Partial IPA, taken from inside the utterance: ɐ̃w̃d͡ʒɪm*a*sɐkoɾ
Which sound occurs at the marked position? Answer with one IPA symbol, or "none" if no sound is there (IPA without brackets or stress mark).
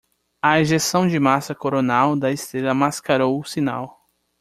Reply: a